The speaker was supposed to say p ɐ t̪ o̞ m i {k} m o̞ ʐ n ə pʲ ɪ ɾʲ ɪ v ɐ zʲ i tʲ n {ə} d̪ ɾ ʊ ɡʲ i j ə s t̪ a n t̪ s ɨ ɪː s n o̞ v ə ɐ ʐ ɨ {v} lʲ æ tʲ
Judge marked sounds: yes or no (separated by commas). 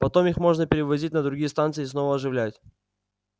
no, yes, yes